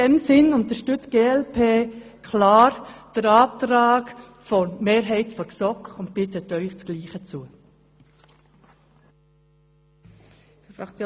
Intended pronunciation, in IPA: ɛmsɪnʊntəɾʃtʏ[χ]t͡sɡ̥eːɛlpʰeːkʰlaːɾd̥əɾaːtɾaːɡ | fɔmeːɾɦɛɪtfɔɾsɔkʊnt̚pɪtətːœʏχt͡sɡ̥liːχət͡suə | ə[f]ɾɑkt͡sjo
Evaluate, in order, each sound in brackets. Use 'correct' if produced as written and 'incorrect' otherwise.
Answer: incorrect, correct

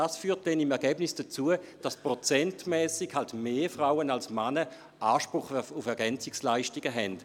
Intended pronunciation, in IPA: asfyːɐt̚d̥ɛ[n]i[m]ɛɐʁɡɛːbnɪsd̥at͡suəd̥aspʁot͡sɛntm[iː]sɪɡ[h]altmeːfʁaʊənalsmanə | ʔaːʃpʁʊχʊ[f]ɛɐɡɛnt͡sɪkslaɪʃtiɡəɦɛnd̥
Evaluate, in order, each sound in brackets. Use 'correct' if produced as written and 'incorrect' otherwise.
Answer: correct, correct, incorrect, correct, correct

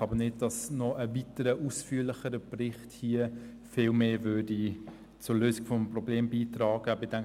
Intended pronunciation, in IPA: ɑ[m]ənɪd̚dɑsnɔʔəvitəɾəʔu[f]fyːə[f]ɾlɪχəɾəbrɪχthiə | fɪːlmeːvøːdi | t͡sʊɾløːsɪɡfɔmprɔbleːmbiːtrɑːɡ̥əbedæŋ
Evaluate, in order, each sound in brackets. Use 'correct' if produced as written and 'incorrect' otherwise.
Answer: incorrect, incorrect, incorrect

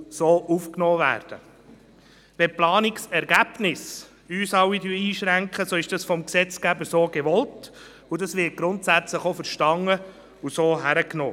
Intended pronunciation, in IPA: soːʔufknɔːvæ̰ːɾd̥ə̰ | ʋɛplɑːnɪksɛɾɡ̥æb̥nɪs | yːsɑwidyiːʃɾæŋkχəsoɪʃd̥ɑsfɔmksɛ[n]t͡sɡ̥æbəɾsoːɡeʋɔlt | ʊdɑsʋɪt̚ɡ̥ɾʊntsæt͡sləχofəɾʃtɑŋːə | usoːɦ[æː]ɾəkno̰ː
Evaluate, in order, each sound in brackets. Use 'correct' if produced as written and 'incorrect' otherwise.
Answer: incorrect, incorrect

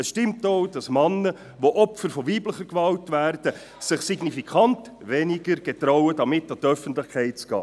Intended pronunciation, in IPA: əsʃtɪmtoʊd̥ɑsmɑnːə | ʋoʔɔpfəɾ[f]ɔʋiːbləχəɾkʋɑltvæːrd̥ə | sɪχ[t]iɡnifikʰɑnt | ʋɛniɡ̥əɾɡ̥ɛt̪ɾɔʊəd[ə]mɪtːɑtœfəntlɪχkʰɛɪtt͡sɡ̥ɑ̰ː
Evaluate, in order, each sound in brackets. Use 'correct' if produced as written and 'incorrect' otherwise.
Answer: correct, incorrect, incorrect

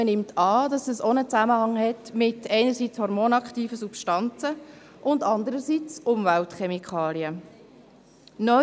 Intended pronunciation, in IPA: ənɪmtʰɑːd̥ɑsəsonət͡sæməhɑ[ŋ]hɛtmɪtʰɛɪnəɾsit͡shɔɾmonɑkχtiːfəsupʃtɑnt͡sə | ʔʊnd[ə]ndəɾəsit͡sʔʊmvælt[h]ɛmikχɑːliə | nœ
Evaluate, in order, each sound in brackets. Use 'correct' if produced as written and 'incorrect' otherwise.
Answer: correct, incorrect, incorrect

